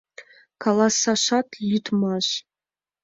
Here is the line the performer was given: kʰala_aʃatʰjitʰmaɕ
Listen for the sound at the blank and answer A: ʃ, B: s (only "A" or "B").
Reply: B